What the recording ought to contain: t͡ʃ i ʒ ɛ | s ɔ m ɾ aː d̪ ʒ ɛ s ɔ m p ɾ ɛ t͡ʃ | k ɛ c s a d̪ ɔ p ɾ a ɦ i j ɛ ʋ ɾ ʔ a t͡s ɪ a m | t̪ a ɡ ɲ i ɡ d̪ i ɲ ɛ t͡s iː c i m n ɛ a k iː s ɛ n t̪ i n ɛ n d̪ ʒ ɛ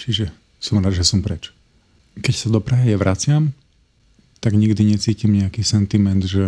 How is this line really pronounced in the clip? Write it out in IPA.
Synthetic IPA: t͡ʃ i ʒ ɛ | s ɔ m ɾ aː d̪ ʒ ɛ s ɔ m p ɾ ɛ t͡ʃ | k ɛ c s a d̪ ɔ p ɾ a ɦ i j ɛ ʋ ɾ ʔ a t͡s ɪ a m | t̪ a ɡ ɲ i ɡ d̪ i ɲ ɛ t͡s iː c i m ɲ ɛ a k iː s ɛ n t̪ i m ɛ n d̪ ʒ ɛ